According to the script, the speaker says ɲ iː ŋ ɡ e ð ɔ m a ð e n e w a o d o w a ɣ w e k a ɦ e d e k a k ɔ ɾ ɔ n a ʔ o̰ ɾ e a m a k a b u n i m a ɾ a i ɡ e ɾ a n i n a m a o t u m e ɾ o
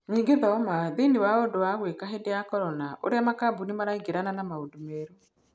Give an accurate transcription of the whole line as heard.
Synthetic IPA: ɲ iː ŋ ɡ e ð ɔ m a ð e n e w a o d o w a ɣ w e k a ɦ e d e a k ɔ ɾ ɔ n a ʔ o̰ ɾ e a m a k a b u n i m a ɾ a i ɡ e ɾ a n a n a m a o d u m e ɾ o